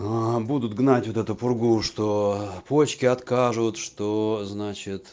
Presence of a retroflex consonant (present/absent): present